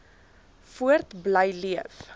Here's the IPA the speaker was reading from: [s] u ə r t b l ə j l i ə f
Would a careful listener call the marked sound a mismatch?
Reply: yes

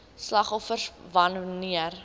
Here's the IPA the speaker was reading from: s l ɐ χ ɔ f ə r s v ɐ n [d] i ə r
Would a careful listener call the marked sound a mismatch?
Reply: yes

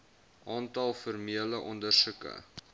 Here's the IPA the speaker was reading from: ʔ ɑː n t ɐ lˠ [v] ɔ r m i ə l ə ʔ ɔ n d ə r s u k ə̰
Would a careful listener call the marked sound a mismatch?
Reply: yes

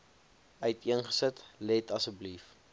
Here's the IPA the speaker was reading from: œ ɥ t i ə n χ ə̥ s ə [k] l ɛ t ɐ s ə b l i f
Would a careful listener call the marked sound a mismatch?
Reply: yes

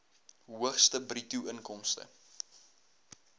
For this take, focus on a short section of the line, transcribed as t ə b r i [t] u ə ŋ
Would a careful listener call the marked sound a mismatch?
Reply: no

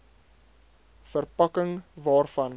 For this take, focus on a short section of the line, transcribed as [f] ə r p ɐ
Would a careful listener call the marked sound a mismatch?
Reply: no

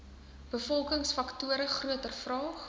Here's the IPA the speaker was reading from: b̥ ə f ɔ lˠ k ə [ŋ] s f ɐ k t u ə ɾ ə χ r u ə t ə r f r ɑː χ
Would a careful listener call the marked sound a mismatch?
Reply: no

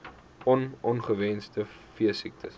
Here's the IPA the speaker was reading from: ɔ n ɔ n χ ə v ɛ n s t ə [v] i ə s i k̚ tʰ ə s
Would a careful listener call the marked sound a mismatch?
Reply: yes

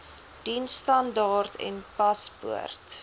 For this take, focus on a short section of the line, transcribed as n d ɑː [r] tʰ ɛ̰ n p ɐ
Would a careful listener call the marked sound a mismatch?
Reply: no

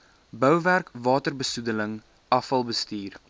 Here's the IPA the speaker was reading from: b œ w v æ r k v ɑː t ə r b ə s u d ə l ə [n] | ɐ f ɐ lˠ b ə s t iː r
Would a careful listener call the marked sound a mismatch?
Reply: yes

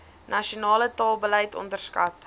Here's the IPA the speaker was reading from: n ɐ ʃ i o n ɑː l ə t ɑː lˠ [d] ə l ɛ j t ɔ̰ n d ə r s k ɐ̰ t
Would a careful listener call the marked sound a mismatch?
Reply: yes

